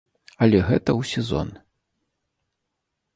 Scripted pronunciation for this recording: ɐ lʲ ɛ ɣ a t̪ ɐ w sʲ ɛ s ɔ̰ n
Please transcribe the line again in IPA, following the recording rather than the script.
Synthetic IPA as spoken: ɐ lʲ ɛ ɣ ɛ t̪ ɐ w sʲ ɛ z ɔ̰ n